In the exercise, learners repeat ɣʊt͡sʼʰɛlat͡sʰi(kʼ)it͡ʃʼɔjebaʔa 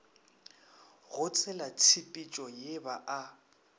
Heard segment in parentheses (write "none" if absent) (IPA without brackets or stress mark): pʼ